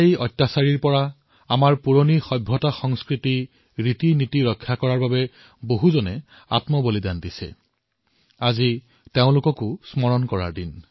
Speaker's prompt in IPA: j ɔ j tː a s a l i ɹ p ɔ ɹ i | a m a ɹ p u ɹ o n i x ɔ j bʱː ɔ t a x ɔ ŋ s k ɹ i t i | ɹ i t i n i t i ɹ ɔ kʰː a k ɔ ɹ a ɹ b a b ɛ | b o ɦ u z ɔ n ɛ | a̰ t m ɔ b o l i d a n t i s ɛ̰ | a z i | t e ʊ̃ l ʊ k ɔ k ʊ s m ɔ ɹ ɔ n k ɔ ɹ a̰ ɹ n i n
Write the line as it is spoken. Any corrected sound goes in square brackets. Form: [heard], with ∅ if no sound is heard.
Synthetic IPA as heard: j ɔ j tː a s a [ɹ] i ɹ p ɔ ɹ [a] | a m a ɹ p u ɹ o n i x ɔ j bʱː ɔ t a x ɔ ŋ s k ɹ i t i | ɹ i t i n i t i ɹ ɔ kʰː a k ɔ ɹ a ɹ b a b ɛ | b o ɦ u z ɔ n ɛ | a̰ t m ɔ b o l i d a n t i s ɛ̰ | a z i | t e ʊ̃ l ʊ k ɔ k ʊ s m ɔ ɹ ɔ n k ɔ ɹ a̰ ɹ [d] i n